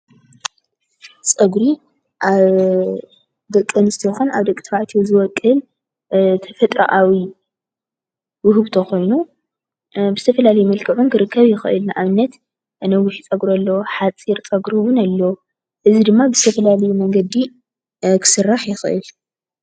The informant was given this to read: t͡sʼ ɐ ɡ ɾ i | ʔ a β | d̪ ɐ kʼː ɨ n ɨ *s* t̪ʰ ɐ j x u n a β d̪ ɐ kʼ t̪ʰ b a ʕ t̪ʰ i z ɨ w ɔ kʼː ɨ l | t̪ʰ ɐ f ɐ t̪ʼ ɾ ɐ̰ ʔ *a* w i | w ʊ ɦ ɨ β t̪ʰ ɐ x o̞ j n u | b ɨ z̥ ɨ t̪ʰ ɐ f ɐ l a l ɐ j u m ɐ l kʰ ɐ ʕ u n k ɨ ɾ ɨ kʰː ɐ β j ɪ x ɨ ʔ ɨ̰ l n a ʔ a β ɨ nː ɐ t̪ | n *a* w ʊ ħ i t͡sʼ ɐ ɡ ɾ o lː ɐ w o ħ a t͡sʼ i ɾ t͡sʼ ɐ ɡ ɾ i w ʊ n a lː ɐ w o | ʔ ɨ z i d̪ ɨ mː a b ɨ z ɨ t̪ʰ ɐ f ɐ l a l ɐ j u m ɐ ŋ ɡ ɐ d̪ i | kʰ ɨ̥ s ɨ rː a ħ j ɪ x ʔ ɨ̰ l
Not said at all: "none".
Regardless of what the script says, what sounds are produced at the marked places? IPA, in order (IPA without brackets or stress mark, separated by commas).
s, a, ɐ